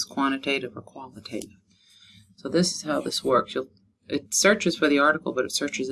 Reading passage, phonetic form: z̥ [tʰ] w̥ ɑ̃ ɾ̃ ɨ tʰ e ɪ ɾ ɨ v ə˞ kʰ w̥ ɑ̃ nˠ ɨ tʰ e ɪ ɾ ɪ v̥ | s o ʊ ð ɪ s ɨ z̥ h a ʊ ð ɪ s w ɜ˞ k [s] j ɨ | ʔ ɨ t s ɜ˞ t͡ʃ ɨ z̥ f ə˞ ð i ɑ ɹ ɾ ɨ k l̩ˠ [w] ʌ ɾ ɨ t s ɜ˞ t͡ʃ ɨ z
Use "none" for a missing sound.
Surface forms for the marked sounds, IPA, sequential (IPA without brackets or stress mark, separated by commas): kʰ, s, b